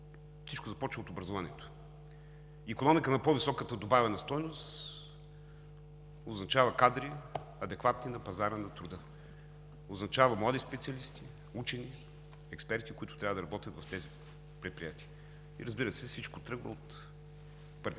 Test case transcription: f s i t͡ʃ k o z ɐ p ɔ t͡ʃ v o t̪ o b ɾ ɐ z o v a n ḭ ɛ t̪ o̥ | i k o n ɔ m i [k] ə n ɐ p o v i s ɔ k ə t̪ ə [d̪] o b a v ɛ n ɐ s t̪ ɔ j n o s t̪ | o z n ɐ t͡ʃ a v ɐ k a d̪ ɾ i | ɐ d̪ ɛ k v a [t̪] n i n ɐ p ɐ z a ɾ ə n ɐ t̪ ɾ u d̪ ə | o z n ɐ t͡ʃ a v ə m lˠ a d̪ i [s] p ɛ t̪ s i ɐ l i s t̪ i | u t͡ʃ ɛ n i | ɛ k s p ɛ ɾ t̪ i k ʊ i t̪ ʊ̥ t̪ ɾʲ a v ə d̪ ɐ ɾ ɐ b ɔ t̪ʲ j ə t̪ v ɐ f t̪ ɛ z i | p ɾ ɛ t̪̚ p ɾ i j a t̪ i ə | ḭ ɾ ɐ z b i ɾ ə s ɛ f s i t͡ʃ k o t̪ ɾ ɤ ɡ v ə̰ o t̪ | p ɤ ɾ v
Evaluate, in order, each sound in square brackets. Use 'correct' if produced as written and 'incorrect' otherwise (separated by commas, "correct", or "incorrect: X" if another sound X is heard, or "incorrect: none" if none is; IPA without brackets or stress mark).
correct, correct, correct, correct